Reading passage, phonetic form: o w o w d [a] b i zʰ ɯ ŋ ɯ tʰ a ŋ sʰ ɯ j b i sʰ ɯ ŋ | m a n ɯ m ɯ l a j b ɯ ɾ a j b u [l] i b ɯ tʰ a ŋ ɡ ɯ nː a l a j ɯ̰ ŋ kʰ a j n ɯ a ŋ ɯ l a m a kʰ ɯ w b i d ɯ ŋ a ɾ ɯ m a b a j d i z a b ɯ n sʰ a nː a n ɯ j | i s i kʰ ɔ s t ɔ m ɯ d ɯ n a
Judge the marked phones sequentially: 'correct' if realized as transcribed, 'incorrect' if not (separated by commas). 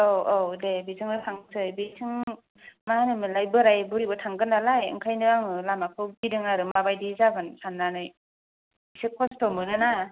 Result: incorrect, incorrect